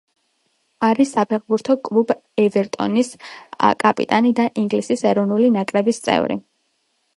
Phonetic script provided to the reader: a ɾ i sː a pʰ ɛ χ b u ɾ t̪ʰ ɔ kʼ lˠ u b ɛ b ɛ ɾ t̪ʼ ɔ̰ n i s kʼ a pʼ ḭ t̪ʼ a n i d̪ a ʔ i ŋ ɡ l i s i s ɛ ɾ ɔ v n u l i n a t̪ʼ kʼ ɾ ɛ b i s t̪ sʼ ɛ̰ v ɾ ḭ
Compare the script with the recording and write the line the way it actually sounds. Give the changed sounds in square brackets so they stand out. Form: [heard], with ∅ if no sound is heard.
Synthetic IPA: a ɾ i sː a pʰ ɛ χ b u ɾ t̪ʰ ɔ kʼ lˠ u b ɛ [v] ɛ ɾ t̪ʼ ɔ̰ n i s kʼ a pʼ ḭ t̪ʼ a n i d̪ a ʔ i ŋ ɡ l i s i s ɛ ɾ ɔ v n u l i n a [∅] kʼ ɾ ɛ b i s t̪ sʼ ɛ̰ v ɾ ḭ